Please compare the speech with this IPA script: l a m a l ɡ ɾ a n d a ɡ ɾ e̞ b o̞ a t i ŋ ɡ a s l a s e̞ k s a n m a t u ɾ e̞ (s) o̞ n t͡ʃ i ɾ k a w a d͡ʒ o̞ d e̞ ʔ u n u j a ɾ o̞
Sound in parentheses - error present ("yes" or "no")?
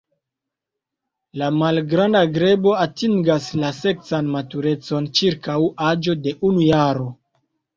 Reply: yes